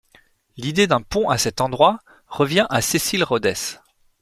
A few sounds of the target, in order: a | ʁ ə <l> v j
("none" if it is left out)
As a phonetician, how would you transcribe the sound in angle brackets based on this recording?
none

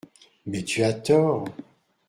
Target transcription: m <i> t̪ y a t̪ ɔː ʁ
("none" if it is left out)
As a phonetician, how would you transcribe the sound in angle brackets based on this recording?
ɛ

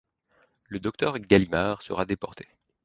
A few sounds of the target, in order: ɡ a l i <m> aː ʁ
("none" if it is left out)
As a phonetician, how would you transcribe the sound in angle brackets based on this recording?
m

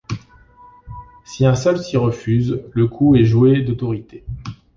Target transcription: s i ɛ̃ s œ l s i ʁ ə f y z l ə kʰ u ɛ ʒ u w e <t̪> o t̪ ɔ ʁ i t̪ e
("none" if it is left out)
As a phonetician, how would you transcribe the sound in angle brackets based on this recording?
d̪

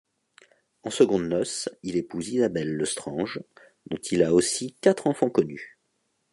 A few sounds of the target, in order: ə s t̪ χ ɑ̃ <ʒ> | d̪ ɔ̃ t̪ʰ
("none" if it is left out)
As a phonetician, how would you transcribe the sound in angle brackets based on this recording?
ʒ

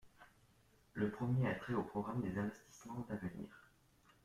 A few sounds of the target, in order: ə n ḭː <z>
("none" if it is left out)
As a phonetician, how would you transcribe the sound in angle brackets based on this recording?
ʁ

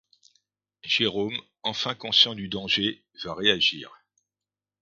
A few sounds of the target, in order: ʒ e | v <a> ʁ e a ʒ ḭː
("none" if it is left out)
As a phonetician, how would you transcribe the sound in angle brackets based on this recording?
a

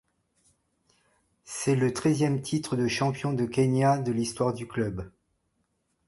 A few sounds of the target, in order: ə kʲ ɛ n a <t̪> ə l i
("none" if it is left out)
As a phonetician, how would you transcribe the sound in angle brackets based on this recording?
d̪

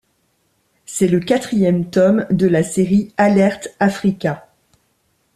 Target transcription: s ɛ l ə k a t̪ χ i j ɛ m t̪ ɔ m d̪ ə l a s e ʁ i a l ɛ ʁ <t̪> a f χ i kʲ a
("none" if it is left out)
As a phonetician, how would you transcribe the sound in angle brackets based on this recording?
t̪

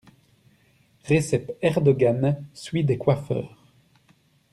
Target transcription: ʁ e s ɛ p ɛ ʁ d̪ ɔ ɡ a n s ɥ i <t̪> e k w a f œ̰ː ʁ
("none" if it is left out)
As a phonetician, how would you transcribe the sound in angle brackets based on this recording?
d̪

